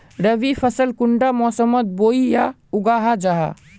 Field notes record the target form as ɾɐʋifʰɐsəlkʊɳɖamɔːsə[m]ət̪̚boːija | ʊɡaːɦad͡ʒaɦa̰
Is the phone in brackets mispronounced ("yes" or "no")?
no